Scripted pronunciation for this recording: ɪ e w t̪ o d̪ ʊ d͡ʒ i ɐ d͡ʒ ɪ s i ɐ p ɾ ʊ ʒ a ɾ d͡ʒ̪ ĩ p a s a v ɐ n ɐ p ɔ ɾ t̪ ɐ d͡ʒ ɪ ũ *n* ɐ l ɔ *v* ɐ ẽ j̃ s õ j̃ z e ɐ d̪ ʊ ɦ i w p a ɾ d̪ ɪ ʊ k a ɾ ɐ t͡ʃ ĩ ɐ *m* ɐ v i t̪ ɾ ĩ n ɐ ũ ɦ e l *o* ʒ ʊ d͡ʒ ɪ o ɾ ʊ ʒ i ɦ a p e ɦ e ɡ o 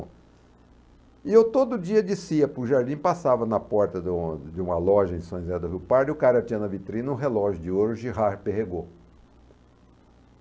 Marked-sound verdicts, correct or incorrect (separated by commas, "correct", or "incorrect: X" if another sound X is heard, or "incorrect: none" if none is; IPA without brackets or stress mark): incorrect: m, incorrect: ʒ, incorrect: n, incorrect: ɔ